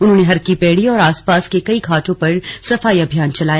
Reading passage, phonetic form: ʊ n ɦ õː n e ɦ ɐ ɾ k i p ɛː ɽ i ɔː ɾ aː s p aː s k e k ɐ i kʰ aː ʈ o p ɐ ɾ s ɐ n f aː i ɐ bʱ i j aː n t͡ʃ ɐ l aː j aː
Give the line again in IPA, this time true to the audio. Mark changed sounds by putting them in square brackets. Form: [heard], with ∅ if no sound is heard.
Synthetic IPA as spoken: ʊ n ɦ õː n e ɦ ɐ ɾ k i p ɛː ɽ i ɔː ɾ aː s p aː s k e k ɐ i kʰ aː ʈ [õ] p ɐ ɾ s ɐ [∅] f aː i ɐ bʱ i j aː n t͡ʃ ɐ l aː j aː